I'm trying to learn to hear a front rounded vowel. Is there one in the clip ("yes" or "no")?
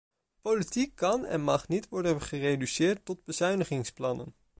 yes